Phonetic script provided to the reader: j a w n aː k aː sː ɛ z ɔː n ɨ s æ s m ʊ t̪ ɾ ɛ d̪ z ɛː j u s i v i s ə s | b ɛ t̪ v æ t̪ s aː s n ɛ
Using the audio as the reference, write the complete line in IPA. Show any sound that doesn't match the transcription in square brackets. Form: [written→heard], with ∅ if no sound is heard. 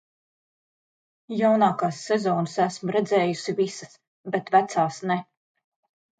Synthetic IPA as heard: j a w n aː k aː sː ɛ z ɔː n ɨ s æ s m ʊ [t̪→∅] ɾ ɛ d̪ z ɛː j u s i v i s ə s | b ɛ t̪ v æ t̪ s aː s n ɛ